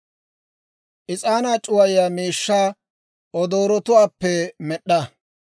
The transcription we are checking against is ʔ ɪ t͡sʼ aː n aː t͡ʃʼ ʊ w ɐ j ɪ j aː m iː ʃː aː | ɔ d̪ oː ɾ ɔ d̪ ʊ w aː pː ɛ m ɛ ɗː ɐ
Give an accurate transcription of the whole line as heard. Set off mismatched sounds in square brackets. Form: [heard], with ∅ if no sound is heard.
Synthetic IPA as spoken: ʔ ɪ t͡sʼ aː n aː t͡ʃʼ ʊ w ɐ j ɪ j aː m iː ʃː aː | ɔ d̪ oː ɾ ɔ [t̪] ʊ w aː pː ɛ m ɛ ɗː ɐ